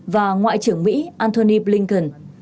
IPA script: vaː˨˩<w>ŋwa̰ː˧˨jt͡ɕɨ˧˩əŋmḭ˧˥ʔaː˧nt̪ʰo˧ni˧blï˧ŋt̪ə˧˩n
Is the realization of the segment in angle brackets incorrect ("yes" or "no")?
yes